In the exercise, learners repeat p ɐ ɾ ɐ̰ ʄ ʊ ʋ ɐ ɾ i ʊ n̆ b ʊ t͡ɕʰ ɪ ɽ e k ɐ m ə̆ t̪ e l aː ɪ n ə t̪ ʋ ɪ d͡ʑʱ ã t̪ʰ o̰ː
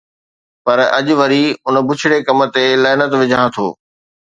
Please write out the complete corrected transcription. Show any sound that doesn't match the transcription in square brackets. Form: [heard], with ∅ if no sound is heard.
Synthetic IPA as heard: p ɐ ɾ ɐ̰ ʄ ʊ ʋ ɐ ɾ i ʊ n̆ b ʊ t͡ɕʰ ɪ ɽ e k ɐ m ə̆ t̪ e l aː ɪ n ə t̪ ʋ ɪ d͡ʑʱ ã t̪ʰ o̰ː